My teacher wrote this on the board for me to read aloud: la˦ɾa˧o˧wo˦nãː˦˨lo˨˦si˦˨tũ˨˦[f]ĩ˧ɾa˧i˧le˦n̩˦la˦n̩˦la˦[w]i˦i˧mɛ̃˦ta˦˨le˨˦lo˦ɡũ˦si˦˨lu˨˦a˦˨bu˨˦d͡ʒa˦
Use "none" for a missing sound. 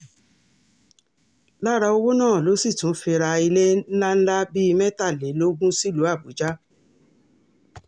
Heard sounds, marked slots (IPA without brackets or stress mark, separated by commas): f, b